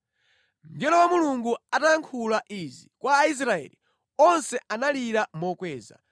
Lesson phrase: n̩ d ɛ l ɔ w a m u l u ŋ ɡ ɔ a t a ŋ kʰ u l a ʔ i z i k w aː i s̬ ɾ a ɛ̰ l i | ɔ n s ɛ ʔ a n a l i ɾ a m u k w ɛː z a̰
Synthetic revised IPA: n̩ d ɛ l ɔ w a m u l u ŋ ɡ u a t a ŋ kʰ u l a ʔ i z i k w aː i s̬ ɾ a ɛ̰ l i | ɔ n s ɛ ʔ a n a l i ɾ a m ɔ k w ɛː z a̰